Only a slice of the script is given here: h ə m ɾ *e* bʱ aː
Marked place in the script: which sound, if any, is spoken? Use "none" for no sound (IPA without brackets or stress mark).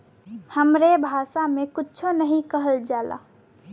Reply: e